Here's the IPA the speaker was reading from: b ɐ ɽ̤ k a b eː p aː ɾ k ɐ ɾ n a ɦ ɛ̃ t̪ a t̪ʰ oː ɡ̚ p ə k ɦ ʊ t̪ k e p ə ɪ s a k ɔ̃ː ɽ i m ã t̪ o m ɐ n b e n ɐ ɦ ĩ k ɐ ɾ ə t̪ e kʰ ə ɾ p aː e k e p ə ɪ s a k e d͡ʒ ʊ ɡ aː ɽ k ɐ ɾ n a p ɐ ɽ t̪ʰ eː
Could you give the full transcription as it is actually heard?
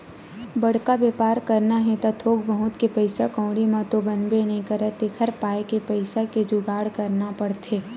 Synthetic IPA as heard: b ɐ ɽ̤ k a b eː p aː ɾ k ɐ ɾ n a ɦ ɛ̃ t̪ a t̪ʰ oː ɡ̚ b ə ɦ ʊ t̪ k e p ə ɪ s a k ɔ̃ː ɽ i m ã t̪ o b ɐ n b e n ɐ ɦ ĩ k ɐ ɾ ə t̪ e kʰ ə ɾ p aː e k e p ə ɪ s a k e d͡ʒ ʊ ɡ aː ɽ k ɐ ɾ n a p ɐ ɽ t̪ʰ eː